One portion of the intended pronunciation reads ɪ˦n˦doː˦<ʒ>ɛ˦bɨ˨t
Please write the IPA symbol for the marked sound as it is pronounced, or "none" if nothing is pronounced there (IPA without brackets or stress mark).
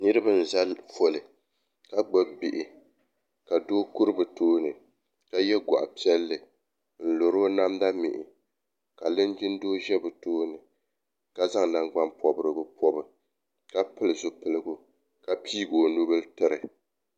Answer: ʒ